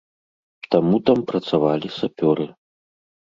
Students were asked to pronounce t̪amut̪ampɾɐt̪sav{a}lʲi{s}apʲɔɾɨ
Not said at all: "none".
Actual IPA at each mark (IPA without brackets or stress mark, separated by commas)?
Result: a, s